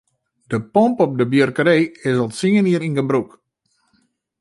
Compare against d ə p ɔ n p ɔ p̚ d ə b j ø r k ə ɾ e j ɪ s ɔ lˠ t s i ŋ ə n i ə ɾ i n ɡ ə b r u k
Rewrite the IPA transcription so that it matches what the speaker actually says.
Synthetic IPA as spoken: d ə p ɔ m p ɔ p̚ d ə b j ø r k ə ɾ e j ɪ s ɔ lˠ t s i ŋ ə n i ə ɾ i n ɡ ə b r u k